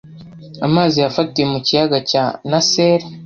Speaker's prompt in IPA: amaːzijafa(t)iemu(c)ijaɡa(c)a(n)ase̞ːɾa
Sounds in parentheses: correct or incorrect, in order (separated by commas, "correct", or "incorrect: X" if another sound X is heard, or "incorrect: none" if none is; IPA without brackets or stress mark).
correct, correct, correct, correct